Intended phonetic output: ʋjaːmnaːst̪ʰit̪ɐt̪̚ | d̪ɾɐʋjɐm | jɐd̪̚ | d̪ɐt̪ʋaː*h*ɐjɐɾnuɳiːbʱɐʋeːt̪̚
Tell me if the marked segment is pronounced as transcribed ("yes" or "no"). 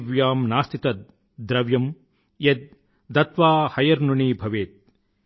yes